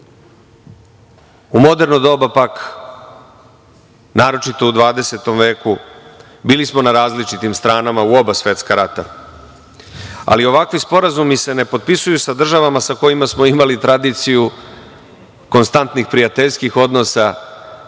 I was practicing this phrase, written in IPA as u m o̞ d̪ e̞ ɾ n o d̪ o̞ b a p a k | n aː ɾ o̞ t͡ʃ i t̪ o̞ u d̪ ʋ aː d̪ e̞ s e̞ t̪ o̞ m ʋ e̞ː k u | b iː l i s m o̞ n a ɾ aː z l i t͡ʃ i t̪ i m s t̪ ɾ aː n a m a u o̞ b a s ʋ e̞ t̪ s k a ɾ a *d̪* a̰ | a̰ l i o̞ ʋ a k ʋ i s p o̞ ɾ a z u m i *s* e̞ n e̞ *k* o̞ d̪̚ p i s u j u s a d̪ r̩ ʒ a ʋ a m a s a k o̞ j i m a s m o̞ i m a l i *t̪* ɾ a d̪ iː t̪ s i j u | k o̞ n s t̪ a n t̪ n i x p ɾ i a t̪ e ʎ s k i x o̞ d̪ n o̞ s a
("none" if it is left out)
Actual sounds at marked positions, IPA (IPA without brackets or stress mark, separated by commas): t̪, s, p, t̪